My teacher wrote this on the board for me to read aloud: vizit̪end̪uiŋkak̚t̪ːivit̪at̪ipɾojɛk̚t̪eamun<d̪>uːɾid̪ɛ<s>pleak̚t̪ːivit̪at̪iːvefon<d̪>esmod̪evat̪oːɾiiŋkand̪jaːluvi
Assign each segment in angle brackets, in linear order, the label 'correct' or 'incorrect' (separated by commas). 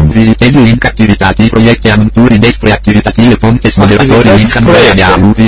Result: incorrect, correct, incorrect